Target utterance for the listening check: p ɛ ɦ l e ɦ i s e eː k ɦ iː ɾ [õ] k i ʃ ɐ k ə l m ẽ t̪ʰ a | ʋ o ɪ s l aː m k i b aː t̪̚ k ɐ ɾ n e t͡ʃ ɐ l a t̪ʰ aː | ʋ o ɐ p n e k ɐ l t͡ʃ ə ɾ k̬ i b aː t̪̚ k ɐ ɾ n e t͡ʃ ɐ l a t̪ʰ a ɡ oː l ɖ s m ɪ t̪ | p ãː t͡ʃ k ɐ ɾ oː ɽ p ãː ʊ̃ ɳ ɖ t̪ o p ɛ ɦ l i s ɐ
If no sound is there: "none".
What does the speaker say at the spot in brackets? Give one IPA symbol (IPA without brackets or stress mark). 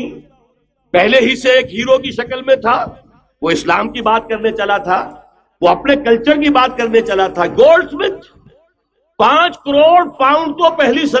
o